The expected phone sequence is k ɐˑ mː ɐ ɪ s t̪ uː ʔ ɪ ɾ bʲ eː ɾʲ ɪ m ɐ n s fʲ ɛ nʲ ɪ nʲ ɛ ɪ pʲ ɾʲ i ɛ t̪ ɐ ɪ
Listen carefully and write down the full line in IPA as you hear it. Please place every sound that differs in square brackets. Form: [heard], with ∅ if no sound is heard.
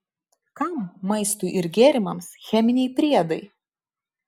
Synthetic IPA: k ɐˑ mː ɐ ɪ s t̪ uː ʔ ɪ ɾ [ɡʲ] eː ɾʲ ɪ m ɐ [m] s [xʲ] ɛ [mʲ] ɪ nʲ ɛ ɪ pʲ ɾʲ i ɛ [d̪] ɐ ɪ